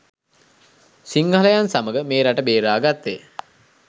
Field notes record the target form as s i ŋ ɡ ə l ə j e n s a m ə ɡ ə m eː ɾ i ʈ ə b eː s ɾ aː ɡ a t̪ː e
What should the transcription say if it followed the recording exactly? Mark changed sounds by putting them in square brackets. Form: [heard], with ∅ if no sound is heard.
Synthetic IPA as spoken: s i ŋ ɡ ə l ə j [a] n s a m ə ɡ ə m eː ɾ [a] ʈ ə b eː [∅] ɾ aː ɡ a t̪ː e